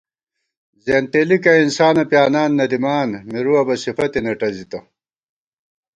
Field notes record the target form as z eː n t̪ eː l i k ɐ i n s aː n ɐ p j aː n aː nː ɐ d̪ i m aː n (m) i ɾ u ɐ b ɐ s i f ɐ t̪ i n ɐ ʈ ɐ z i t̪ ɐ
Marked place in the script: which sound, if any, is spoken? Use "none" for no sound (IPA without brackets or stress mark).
m